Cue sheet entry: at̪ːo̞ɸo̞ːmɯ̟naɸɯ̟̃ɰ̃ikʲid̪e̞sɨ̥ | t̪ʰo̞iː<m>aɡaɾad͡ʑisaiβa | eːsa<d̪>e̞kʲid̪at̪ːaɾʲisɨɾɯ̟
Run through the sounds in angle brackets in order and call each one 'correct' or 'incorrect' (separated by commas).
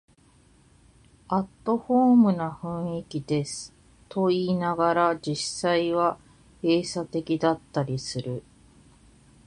incorrect, incorrect